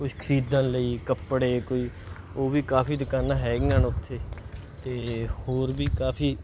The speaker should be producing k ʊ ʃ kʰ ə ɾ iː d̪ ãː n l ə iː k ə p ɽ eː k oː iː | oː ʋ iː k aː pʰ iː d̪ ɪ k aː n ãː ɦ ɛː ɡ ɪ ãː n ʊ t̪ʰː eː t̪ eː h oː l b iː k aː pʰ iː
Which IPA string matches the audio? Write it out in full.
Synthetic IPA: k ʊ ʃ kʰ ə ɾ iː d̪ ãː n l ə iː k ə p ɽ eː k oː iː | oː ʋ iː k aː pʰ iː d̪ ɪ k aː n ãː ɦ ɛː ɡ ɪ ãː n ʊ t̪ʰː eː t̪ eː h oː ɾ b iː k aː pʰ iː